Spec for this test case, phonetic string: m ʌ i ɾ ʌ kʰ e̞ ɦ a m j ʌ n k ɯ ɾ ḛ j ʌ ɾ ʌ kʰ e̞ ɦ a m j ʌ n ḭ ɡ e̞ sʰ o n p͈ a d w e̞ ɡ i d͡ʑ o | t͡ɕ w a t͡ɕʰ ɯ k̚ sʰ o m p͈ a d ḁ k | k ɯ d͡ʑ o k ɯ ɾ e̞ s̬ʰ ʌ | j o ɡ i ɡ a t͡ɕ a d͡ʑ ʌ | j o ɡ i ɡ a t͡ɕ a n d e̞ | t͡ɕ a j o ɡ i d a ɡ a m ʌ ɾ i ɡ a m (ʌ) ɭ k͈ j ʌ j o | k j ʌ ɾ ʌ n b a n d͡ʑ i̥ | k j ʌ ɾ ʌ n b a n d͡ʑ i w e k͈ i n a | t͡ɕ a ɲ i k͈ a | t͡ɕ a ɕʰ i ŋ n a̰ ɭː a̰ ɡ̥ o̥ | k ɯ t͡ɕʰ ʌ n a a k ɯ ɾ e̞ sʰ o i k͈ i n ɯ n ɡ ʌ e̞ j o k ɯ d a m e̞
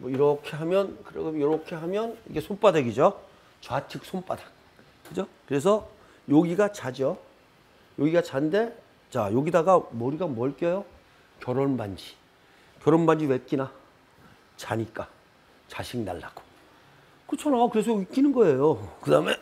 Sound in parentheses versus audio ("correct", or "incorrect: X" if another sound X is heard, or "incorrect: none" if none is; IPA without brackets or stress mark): correct